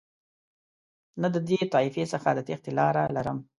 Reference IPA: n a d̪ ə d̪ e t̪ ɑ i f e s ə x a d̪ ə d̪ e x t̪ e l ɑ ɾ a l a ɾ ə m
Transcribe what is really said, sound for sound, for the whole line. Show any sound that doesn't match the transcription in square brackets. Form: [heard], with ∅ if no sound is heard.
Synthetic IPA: n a d̪ ə d̪ e t̪ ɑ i f e s ə x a d̪ ə [t̪] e x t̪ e l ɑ ɾ a l a ɾ ə m